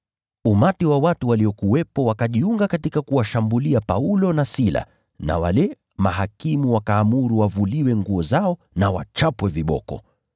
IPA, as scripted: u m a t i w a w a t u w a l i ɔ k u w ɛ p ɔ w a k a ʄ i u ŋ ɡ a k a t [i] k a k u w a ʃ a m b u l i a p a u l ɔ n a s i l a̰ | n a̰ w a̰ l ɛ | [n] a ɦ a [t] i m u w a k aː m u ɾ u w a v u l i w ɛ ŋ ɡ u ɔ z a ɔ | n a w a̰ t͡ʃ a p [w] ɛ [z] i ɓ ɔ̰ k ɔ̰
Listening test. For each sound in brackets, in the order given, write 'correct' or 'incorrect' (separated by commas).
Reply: correct, incorrect, incorrect, correct, incorrect